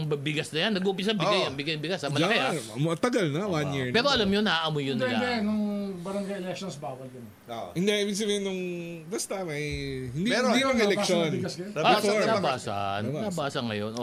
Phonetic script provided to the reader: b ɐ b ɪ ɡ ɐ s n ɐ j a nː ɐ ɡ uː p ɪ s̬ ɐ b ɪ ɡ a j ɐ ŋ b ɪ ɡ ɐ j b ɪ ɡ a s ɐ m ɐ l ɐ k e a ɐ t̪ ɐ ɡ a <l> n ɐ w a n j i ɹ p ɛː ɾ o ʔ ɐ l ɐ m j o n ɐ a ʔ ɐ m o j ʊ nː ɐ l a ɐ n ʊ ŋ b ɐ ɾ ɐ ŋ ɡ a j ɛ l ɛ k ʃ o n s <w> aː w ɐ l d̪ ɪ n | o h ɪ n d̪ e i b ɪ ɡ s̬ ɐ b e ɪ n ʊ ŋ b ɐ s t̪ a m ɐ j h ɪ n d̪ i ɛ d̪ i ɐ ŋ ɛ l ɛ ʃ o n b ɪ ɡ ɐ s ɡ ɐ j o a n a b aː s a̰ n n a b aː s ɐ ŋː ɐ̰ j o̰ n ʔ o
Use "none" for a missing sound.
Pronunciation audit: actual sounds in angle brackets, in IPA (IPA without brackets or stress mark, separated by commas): l, b